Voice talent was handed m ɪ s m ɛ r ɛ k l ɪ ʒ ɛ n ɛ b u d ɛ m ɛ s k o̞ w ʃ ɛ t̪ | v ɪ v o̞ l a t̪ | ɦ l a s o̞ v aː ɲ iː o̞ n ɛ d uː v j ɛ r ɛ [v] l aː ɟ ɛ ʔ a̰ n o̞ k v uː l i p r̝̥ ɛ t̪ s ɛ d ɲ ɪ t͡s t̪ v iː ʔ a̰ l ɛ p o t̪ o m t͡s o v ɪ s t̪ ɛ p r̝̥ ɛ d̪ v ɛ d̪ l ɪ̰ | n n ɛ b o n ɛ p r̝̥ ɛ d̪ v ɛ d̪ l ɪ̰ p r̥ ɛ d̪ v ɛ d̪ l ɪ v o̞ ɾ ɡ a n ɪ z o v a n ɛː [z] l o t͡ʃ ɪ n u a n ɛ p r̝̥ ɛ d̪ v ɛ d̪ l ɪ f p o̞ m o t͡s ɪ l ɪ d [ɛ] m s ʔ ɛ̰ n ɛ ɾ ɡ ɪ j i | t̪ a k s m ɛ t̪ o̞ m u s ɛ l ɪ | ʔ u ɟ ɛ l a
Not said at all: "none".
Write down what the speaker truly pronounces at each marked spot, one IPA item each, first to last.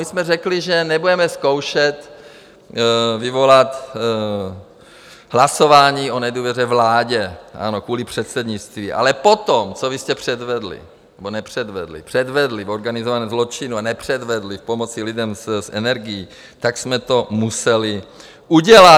v, z, ɛ

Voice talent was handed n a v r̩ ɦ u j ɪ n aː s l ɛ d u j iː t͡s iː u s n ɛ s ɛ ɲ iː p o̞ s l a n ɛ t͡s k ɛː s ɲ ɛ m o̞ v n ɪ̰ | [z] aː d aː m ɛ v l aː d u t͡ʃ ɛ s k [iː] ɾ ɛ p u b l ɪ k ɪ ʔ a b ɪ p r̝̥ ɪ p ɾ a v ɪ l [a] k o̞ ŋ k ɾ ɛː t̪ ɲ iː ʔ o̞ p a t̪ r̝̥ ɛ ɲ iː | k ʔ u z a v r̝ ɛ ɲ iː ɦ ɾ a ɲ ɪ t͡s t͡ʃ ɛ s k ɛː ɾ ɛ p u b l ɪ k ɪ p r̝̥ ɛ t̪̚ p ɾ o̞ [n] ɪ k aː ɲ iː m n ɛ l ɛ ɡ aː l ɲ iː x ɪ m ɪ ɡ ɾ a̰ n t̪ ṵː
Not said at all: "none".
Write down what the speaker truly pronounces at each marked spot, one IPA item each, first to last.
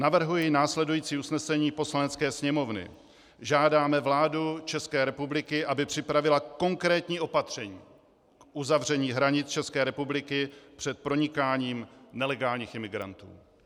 ʒ, ɛː, a, ɲ

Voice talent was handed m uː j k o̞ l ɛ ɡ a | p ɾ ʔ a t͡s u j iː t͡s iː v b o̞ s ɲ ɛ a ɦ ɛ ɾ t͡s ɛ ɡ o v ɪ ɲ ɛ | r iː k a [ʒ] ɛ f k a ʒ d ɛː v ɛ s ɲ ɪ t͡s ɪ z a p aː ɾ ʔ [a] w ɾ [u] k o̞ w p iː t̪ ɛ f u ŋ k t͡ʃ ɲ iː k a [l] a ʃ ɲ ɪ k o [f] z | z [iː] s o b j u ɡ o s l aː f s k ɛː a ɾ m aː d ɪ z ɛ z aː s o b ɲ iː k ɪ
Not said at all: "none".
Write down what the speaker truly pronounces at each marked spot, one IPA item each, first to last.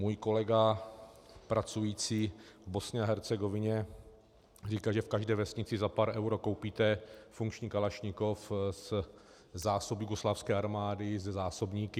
ʒ, ɛ, o, l, f, aː

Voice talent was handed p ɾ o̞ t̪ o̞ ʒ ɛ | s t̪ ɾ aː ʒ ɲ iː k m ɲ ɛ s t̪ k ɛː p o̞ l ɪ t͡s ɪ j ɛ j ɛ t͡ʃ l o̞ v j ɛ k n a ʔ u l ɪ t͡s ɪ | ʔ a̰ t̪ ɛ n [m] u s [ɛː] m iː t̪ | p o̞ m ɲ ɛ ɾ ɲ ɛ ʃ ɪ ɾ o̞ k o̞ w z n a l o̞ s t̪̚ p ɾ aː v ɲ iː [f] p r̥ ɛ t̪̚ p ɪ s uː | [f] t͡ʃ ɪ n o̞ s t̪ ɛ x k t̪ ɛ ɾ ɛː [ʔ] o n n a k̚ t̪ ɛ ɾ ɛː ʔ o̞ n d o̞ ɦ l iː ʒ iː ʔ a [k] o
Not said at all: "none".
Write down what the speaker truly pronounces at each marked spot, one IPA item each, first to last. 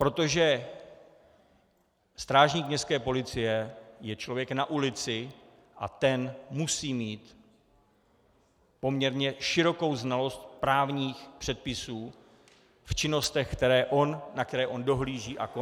m, iː, x, f, ʔ, k

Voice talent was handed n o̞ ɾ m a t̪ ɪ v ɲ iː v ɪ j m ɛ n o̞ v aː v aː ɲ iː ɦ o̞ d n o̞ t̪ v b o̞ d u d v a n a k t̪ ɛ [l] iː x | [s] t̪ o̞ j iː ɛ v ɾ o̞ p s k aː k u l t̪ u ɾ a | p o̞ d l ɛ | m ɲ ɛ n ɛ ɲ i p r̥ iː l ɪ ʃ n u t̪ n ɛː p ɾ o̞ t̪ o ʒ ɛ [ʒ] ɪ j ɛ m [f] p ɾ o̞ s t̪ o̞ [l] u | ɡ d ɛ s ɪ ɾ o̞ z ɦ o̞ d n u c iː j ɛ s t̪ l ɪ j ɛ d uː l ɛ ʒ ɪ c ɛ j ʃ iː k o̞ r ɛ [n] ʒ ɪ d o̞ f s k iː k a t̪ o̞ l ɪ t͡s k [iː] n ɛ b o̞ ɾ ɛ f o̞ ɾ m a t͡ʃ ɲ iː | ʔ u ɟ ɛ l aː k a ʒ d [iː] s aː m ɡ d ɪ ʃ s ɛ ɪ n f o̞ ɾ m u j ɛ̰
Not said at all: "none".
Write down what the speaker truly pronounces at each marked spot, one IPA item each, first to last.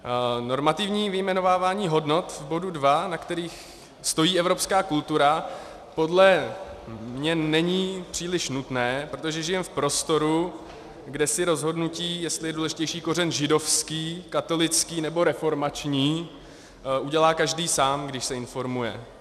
ɾ, s, ʒ, f, ɾ, n, iː, iː

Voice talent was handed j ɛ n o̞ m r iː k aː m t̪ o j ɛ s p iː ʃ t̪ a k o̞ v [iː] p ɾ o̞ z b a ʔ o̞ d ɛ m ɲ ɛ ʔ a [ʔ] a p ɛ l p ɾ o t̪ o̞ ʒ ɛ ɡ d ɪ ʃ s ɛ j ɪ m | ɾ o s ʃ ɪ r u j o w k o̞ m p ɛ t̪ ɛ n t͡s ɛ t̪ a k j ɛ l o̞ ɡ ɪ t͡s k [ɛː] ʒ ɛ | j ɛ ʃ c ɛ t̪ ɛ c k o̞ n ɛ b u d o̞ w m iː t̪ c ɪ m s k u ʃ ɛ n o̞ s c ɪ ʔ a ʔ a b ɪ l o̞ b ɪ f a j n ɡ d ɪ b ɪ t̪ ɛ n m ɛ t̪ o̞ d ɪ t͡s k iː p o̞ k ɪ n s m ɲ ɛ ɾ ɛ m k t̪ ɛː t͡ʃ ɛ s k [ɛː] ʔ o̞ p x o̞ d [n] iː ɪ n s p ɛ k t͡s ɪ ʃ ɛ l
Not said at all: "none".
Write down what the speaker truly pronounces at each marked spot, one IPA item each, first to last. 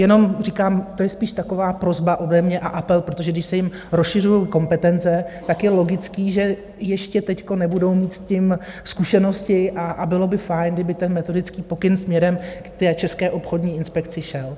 aː, ʔ, iː, ɛː, ɲ

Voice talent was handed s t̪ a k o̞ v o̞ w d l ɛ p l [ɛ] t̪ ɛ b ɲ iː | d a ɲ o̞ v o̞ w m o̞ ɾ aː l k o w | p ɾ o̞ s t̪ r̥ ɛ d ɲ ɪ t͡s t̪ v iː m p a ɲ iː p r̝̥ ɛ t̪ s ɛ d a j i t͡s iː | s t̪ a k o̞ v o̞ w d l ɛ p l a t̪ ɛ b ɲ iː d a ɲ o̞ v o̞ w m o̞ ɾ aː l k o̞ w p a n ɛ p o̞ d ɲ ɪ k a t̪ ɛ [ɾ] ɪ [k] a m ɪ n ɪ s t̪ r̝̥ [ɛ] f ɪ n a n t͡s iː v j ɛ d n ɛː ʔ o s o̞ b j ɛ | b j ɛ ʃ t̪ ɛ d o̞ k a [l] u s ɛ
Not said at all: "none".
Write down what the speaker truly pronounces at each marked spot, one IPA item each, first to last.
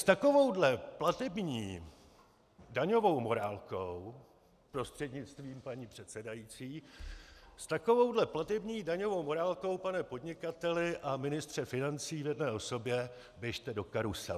a, l, ʔ, ɛ, ɾ

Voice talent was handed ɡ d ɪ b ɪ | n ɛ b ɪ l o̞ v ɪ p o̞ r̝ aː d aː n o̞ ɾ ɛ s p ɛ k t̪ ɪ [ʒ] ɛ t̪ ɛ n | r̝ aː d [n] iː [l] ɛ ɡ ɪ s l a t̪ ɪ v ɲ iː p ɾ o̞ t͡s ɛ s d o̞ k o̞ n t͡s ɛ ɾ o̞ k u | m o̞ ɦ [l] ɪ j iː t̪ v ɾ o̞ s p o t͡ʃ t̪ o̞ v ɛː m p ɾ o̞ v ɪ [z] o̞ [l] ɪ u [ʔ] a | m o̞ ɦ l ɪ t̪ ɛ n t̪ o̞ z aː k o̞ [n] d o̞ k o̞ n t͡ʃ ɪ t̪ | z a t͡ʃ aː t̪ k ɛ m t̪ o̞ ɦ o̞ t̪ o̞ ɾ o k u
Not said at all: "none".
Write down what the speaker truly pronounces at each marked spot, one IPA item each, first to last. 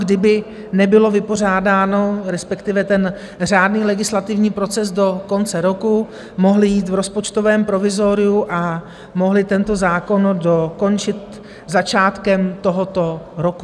v, n, l, l, z, ɾ, ʔ, n

